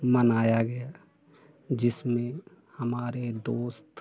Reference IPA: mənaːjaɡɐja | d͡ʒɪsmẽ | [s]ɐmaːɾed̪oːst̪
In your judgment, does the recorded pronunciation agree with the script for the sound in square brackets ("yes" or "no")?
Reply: no